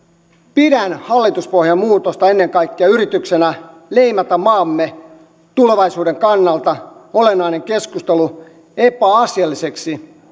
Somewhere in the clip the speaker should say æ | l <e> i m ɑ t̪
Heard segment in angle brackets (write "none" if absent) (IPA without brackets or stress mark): e